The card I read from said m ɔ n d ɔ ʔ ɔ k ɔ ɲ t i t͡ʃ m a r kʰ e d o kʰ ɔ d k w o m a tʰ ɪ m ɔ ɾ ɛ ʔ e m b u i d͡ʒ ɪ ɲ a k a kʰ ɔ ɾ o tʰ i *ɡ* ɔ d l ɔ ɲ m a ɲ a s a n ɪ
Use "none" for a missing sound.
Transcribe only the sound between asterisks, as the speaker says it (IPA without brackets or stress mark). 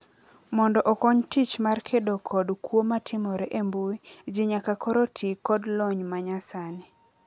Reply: k